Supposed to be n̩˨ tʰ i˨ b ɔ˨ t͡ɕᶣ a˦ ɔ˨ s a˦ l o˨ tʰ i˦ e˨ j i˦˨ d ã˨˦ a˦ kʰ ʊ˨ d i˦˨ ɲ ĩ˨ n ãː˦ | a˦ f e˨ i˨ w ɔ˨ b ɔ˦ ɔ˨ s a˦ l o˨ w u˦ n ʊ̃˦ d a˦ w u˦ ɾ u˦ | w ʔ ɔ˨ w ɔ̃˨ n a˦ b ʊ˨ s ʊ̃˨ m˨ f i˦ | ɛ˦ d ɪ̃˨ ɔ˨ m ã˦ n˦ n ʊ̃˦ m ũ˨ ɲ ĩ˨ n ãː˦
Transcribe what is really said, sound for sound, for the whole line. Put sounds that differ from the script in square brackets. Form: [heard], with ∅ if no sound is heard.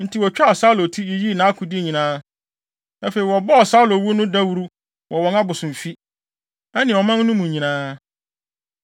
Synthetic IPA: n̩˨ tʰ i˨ [w] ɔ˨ t͡ɕᶣ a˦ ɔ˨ s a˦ l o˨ tʰ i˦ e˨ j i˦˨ [n] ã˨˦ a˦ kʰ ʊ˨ d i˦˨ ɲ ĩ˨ n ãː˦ | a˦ f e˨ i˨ w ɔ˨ b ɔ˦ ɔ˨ s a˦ l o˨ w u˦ n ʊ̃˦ d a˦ w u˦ ɾ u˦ | w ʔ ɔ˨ w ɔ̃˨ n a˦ b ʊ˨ s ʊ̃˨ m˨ f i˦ | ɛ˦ [n] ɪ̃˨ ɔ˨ m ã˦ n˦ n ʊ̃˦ m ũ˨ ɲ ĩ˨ n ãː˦